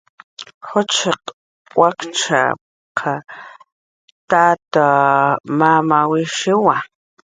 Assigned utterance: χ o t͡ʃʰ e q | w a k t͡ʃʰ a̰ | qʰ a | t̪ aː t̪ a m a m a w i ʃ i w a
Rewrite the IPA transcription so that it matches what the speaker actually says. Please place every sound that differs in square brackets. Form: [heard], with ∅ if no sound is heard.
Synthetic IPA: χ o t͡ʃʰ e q | w a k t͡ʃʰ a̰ | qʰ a | t̪ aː t̪ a m a m a w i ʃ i w a